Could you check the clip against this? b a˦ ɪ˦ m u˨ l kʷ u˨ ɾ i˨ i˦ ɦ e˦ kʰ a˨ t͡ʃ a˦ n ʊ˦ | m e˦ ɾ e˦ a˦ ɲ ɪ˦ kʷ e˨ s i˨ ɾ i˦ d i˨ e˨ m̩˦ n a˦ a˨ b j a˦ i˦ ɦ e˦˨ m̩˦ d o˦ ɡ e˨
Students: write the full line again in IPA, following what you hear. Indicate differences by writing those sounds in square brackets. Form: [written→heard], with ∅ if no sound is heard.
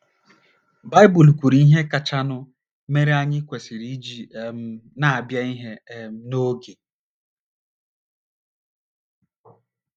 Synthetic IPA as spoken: b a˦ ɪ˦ [m→b] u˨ l kʷ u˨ ɾ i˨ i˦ ɦ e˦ [kʰ→k] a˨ t͡ʃ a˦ n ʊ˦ | m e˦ ɾ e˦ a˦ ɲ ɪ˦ kʷ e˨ s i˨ ɾ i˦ [d→d͡ʒ] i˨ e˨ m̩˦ n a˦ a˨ b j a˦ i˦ ɦ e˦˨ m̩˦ [d→n] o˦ ɡ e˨